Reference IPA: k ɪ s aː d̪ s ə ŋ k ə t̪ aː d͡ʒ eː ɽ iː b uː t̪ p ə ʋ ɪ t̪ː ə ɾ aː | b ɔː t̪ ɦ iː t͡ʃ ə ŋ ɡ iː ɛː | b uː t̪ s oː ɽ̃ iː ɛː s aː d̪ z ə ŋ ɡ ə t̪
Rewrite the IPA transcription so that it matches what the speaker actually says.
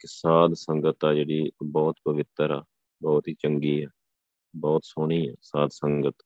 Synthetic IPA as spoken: k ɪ s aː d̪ s ə ŋ ɡ ə t̪ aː d͡ʒ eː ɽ iː b ɔː t̪ p ə ʋ ɪ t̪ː ə ɾ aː | b ɔː t̪ ɦ iː t͡ʃ ə ŋ ɡ iː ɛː | b ɔː t̪ s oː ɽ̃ iː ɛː s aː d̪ s ə ŋ ɡ ə t̪